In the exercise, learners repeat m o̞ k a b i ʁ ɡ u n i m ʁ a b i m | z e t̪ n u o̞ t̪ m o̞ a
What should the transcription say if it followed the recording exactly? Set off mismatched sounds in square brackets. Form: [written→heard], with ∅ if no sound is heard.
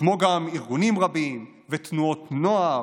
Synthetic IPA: m o̞ [k→ɡ] a [b→m] i ʁ ɡ u n i m ʁ a b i m | [z→v] e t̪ n u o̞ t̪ [m→n] o̞ a